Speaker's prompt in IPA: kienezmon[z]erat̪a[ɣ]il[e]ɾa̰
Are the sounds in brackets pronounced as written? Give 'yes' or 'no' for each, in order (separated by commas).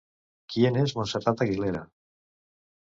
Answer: no, yes, yes